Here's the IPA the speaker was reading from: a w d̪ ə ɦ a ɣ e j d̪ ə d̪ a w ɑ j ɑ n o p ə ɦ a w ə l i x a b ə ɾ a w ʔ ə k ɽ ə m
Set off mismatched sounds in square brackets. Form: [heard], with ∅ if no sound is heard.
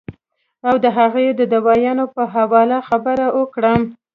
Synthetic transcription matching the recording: a w d̪ ə ɦ a ɣ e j d̪ ə d̪ a w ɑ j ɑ n o p ə ɦ a w [ɑ] l [a] x a b ə ɾ a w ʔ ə k ɽ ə m